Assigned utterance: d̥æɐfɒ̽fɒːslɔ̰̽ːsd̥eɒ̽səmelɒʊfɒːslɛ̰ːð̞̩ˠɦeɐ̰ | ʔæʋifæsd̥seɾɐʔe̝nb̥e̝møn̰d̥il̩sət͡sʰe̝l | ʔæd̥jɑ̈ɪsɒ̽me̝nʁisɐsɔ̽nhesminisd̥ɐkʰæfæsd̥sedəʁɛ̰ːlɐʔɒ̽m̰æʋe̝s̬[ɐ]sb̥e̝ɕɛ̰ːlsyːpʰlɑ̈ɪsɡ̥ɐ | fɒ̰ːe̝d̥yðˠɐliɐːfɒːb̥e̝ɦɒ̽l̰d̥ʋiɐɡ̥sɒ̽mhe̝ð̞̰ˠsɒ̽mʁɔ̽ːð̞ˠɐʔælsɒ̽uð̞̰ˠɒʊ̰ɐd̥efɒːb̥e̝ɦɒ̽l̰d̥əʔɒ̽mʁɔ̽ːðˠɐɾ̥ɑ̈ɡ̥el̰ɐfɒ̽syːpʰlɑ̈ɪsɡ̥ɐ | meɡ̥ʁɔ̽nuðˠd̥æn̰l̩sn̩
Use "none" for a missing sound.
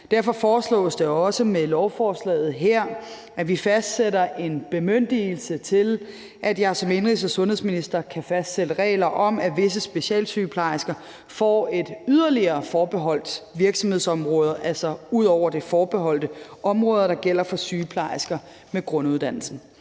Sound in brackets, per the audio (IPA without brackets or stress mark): ə